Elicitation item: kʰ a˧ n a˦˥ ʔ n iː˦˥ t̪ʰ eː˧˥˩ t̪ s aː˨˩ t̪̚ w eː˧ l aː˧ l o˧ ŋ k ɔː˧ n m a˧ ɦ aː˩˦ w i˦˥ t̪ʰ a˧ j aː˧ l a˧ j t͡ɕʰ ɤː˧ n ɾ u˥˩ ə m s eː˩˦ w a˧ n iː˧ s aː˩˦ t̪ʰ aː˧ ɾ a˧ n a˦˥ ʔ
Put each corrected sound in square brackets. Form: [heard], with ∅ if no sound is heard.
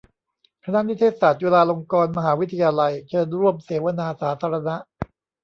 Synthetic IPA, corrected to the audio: kʰ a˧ n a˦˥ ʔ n [i˦˥] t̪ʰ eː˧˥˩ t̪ s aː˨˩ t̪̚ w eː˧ l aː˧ l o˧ ŋ k ɔː˧ n m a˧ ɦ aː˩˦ w i˦˥ t̪ʰ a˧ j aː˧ l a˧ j t͡ɕʰ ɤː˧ n ɾ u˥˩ ə m s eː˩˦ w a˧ n [aː˧] s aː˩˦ t̪ʰ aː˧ ɾ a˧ n a˦˥ ʔ